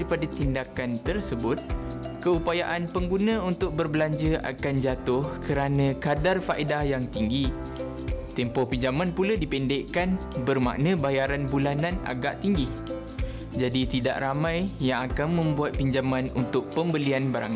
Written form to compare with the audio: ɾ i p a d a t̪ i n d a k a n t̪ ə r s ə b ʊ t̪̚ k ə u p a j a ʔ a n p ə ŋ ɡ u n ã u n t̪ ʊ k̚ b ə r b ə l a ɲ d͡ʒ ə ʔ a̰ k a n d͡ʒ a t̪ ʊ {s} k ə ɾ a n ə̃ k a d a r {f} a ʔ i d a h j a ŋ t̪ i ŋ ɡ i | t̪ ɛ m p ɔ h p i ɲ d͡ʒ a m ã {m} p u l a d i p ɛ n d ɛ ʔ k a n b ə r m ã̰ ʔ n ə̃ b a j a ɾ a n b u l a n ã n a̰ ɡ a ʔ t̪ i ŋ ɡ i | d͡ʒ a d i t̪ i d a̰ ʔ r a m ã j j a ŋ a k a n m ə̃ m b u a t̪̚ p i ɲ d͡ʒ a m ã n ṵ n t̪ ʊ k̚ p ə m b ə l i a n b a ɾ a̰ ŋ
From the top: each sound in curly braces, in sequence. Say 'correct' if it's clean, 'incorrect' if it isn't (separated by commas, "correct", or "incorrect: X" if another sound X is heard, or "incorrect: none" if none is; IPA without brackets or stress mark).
incorrect: h, correct, incorrect: n